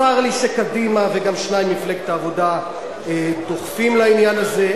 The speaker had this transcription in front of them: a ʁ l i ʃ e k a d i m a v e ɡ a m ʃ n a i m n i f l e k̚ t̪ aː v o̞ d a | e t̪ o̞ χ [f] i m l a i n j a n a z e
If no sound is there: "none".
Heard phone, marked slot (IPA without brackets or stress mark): f